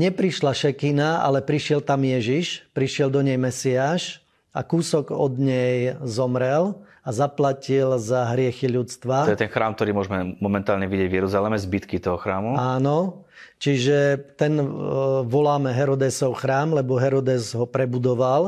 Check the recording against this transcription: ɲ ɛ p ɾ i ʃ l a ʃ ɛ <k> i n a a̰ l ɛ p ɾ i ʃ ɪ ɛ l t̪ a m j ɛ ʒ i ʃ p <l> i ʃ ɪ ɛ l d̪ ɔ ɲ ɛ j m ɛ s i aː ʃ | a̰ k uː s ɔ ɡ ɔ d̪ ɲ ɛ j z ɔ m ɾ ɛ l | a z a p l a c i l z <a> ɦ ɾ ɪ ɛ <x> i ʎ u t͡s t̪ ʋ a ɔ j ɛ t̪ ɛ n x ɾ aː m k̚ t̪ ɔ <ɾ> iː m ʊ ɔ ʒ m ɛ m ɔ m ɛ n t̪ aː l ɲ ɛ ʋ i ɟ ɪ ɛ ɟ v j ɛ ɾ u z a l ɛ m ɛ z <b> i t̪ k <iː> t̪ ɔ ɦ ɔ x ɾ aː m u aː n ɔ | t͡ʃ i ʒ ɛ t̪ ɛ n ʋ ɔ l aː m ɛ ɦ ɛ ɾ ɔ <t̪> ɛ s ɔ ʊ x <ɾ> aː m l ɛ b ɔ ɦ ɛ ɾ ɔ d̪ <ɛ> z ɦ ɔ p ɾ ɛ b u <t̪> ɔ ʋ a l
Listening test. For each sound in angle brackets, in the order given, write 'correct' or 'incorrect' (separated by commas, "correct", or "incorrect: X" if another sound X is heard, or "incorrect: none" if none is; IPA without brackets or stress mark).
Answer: correct, incorrect: ɾ, correct, correct, correct, correct, incorrect: i, incorrect: d̪, correct, correct, incorrect: d̪